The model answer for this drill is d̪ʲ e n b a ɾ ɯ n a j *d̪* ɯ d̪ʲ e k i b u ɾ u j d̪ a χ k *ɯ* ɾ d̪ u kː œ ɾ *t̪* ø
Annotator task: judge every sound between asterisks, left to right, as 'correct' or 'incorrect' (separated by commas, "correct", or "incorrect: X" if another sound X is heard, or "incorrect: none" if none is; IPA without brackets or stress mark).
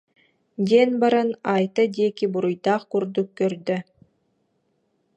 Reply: incorrect: t̪, incorrect: u, incorrect: d̪